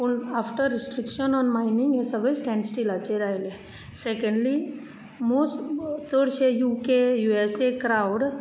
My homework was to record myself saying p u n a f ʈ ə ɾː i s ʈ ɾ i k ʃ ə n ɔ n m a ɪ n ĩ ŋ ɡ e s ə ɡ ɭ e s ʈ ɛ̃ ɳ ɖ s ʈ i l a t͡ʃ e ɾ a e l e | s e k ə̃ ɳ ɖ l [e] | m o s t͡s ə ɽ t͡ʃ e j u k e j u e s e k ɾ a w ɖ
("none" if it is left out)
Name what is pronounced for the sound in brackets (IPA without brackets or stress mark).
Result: i